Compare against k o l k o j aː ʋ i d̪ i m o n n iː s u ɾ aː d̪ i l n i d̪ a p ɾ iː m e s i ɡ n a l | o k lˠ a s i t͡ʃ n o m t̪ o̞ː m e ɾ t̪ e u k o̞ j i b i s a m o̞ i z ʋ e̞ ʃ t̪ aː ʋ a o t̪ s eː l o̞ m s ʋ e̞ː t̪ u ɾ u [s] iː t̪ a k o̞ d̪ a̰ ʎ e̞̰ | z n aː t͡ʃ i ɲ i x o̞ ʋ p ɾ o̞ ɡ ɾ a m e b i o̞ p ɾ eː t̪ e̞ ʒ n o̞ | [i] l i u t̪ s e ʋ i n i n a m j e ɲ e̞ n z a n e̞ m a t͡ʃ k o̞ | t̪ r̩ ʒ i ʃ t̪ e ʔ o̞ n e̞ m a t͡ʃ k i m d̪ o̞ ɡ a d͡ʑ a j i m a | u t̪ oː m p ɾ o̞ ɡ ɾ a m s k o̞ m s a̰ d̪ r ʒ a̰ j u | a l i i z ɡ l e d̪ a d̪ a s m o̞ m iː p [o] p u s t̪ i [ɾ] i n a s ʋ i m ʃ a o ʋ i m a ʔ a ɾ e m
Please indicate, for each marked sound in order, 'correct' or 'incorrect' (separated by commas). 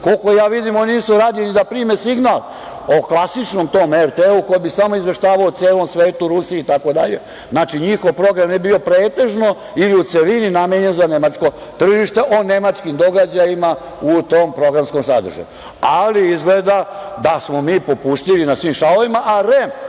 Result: correct, correct, correct, incorrect